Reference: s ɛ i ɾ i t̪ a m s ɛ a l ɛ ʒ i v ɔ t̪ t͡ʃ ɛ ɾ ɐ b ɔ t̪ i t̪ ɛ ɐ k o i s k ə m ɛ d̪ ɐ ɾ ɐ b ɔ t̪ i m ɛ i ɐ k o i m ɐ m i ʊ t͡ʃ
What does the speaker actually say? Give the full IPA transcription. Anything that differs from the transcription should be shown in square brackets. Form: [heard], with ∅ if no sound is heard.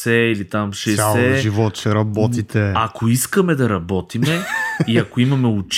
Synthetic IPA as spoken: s ɛ i [l] i t̪ a m [ʃ] ɛ a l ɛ ʒ i v ɔ t̪ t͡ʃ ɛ ɾ ɐ b ɔ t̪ i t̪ ɛ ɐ k o i s k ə m ɛ d̪ ɐ ɾ ɐ b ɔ t̪ i m ɛ i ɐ k o i m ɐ m [ɛ] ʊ t͡ʃ